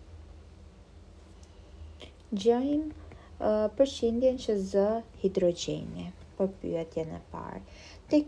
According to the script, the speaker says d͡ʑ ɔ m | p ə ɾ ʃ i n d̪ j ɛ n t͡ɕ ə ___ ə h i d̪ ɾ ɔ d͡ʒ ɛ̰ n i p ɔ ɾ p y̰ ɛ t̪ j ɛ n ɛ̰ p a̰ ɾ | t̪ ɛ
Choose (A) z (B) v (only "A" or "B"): A